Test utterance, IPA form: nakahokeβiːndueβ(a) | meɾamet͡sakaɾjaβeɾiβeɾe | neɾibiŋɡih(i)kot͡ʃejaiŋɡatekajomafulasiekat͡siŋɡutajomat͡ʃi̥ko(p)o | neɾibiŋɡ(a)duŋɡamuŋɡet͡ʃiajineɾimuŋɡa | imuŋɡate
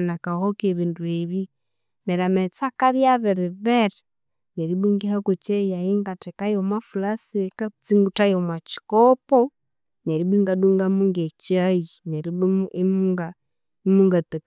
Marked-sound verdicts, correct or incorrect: incorrect, incorrect, correct, correct

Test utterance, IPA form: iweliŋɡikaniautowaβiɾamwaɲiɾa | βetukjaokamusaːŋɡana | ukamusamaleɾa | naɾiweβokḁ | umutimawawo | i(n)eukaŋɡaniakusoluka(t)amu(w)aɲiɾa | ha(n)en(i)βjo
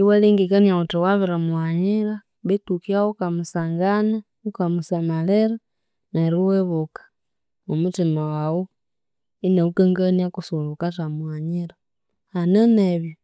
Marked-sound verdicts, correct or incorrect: correct, correct, correct, correct, incorrect

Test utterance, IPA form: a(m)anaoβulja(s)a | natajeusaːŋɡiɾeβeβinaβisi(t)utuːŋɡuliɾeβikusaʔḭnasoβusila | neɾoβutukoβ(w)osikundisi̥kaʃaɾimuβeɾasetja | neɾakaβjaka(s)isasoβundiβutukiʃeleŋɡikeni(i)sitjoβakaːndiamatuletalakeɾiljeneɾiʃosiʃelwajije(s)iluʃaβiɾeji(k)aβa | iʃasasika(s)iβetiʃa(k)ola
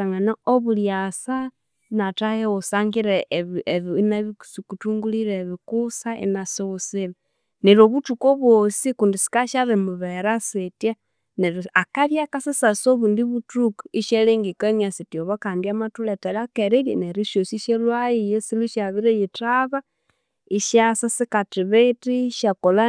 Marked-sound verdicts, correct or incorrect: incorrect, correct, incorrect, correct, correct, incorrect, correct, incorrect, incorrect, correct

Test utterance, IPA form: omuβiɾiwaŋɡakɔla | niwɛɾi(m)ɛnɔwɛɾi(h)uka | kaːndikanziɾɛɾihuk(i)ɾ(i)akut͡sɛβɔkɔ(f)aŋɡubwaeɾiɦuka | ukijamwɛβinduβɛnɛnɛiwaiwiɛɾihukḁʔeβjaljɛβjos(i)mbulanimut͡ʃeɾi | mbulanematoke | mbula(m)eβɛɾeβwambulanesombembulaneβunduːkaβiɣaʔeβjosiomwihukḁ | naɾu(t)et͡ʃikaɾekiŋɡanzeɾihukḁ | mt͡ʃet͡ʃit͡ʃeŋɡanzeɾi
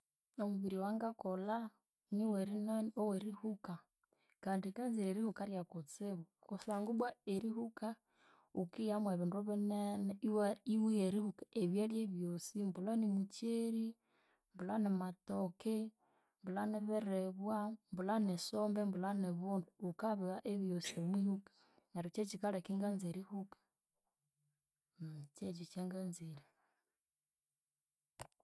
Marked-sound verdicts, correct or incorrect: incorrect, correct, incorrect, incorrect, incorrect, correct, incorrect, incorrect

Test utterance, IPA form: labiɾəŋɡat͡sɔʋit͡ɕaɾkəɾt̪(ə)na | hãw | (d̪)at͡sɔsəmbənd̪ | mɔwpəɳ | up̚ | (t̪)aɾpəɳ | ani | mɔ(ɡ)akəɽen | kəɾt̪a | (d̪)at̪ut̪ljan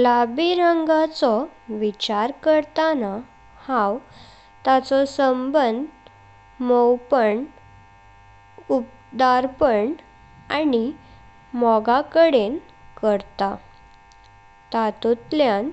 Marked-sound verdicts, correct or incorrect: incorrect, incorrect, incorrect, correct, incorrect

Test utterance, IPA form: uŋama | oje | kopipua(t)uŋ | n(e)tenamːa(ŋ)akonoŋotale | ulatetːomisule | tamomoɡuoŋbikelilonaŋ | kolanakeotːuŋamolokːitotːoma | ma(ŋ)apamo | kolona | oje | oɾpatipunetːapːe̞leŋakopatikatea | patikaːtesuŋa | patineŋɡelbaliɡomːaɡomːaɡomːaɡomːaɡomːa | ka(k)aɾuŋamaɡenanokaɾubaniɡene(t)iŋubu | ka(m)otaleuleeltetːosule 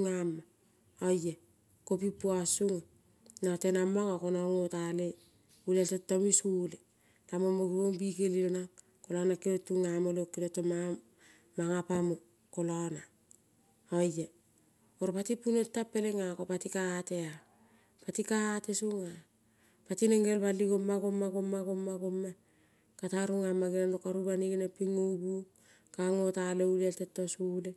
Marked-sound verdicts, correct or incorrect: incorrect, incorrect, correct, correct, incorrect, incorrect, incorrect

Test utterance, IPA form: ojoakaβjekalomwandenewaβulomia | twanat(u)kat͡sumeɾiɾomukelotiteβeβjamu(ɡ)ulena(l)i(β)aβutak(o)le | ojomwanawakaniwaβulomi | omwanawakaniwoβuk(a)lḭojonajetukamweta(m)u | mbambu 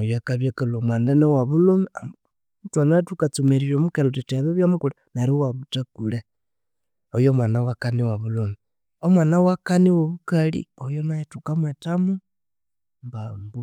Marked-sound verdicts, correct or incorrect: correct, incorrect, incorrect, incorrect, incorrect, correct, correct

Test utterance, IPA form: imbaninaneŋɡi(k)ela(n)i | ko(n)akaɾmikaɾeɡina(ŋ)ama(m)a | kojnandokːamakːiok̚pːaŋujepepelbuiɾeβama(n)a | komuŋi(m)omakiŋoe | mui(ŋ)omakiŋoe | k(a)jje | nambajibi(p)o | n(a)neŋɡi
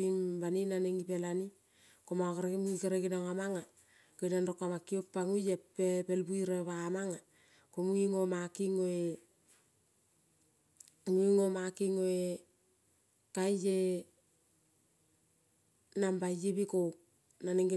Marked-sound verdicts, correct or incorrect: incorrect, correct, incorrect, correct, incorrect, incorrect, incorrect, correct, correct, incorrect, correct

